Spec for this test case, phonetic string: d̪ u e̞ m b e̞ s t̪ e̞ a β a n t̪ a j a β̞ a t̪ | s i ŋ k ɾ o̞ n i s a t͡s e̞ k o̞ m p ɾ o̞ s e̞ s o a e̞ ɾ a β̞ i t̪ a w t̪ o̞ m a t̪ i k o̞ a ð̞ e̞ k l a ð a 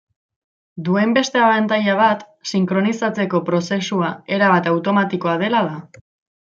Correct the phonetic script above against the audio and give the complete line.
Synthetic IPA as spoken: d̪ u e̞ m b e̞ s t̪ e̞ a β a n t̪ a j a β̞ a t̪ | s i ŋ k ɾ o̞ n i s a t͡s e̞ k o̞ p ɾ o̞ s e̞ s u a e̞ ɾ a β̞ a t̪ a w t̪ o̞ m a t̪ i k o̞ a ð̞ e̞ l a ð a